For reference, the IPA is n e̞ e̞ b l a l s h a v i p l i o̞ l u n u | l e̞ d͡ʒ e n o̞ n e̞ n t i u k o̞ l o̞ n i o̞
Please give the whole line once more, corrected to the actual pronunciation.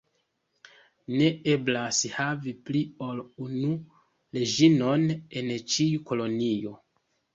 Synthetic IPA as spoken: n e̞ e̞ b l a s h a v i p l i o̞ l u n u | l e̞ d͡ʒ i n o̞ n e̞ n t͡ʃ i u k o̞ l o̞ n i o̞